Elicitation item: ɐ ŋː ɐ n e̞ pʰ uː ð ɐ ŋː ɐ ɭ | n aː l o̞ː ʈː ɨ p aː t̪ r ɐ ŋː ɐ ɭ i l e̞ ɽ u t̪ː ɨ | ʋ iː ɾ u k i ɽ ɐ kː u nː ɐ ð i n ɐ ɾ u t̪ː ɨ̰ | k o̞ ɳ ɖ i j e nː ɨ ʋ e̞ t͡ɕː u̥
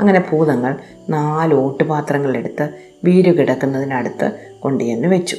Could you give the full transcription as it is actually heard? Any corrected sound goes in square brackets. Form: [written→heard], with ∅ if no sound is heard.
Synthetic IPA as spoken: ɐ ŋː ɐ n e̞ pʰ uː ð ɐ ŋː ɐ ɭ | n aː l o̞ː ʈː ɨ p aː t̪ r ɐ ŋː ɐ ɭ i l e̞ ɽ u t̪ː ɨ | ʋ iː ɾ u k i ɽ ɐ kː u nː ɐ ð i n ɐ [ɾ→ɽ] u t̪ː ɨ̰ | k o̞ ɳ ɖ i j e nː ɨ ʋ e̞ t͡ɕː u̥